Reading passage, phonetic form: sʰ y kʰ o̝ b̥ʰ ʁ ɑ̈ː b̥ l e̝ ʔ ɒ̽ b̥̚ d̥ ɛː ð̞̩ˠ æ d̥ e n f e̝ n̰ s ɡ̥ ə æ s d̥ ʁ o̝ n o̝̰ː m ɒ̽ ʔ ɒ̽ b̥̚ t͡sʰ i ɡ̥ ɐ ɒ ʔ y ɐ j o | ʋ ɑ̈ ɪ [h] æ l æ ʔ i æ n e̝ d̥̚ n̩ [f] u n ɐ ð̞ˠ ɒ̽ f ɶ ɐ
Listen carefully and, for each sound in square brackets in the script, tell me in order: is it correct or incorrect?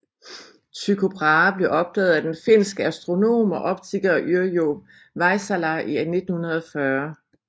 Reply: incorrect: s, incorrect: h

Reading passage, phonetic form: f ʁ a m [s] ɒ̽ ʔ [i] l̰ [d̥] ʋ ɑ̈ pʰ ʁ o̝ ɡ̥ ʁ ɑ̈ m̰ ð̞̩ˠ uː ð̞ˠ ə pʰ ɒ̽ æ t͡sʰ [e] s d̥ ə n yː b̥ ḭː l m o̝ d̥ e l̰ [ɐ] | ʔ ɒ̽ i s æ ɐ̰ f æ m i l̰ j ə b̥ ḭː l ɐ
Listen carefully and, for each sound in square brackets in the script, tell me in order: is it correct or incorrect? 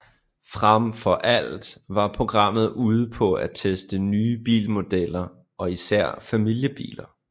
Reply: incorrect: f, incorrect: æ, correct, correct, correct

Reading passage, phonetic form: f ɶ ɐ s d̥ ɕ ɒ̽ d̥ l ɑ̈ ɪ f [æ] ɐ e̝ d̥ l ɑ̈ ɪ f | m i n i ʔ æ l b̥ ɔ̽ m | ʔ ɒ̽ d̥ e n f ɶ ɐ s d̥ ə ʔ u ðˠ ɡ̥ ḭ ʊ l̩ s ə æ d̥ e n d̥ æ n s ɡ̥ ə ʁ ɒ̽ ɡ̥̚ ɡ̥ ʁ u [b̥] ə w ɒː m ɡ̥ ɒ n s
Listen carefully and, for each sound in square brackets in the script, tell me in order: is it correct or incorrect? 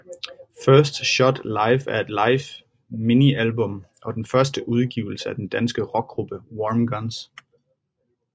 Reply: correct, correct

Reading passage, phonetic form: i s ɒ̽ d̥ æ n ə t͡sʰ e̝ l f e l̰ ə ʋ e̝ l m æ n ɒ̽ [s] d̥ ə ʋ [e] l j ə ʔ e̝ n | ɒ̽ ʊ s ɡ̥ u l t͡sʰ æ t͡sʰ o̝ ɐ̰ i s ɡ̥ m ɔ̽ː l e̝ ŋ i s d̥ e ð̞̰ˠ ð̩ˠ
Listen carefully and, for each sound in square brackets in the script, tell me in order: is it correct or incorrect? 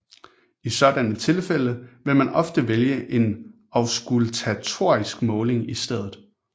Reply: incorrect: f, correct

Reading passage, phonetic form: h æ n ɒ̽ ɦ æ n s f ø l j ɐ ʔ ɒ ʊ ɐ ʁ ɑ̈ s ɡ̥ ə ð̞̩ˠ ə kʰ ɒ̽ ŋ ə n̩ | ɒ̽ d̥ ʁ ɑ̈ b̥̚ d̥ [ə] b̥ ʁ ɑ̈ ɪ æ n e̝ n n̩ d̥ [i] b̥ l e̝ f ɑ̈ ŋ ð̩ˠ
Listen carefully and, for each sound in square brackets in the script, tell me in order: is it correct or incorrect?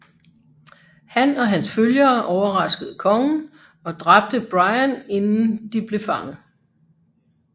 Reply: correct, correct

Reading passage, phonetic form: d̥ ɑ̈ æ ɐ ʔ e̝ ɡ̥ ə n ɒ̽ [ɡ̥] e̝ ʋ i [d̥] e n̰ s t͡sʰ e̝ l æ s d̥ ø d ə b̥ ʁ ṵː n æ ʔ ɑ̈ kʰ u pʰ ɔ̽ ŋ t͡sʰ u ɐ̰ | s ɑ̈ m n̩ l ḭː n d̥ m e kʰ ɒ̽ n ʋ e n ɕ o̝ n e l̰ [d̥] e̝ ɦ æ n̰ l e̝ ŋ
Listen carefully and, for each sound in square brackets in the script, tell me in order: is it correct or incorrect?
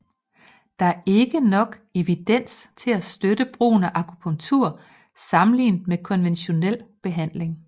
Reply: correct, correct, incorrect: b̥

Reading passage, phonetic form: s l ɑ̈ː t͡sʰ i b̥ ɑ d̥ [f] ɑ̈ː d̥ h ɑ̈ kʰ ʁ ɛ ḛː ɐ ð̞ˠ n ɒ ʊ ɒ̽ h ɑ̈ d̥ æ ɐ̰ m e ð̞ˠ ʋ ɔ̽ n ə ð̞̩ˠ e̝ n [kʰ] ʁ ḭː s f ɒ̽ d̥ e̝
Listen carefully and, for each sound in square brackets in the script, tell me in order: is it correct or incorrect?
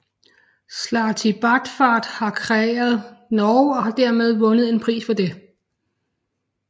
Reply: correct, incorrect: pʰ

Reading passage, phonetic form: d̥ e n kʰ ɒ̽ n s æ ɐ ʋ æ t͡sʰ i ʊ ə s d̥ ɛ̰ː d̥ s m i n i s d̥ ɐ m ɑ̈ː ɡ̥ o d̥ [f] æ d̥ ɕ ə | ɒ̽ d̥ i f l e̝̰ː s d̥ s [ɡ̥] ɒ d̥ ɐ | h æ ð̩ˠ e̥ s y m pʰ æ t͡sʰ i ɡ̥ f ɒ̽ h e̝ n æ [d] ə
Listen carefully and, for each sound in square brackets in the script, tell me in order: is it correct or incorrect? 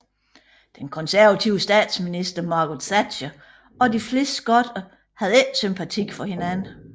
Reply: incorrect: s, correct, incorrect: n

